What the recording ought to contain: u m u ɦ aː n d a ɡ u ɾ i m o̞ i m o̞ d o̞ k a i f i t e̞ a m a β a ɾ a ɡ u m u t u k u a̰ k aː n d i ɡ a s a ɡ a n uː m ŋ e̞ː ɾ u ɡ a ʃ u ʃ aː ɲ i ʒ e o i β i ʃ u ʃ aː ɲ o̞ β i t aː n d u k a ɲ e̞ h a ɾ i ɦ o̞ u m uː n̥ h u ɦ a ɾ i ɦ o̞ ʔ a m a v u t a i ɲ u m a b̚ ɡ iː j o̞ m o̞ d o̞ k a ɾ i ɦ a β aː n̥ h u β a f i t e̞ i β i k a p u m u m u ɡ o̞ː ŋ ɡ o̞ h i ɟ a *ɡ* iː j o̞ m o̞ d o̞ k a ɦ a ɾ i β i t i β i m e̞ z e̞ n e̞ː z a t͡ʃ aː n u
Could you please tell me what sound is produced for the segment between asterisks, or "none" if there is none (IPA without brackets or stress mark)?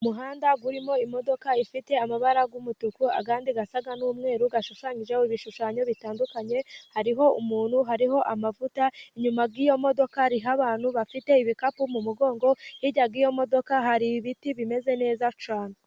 ɡ